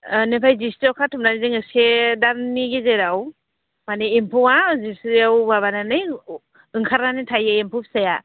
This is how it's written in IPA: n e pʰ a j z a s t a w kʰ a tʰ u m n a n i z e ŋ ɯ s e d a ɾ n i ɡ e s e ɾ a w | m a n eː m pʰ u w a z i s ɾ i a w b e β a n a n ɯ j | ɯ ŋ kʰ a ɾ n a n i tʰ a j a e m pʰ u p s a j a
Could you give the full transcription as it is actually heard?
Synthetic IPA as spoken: n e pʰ a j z i s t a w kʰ a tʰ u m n a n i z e ŋ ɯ s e d a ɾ n i ɡ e z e ɾ a w | m a n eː m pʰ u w a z i s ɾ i a w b a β a n a n ɯ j | ɯ ŋ kʰ a ɾ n a n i tʰ a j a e m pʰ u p s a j a